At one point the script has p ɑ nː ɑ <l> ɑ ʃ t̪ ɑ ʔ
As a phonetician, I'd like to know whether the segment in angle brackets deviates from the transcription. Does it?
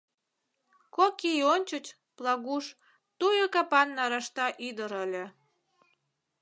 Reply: yes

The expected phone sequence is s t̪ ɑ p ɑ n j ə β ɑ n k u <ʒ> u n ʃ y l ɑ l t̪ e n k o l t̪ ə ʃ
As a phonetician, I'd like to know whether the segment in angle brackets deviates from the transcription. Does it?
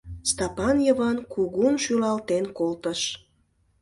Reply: yes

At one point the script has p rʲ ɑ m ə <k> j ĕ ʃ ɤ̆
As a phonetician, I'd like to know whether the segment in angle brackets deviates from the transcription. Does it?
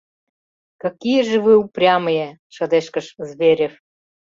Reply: yes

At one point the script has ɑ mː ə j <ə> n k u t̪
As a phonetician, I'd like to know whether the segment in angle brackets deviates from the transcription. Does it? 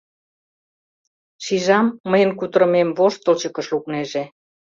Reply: no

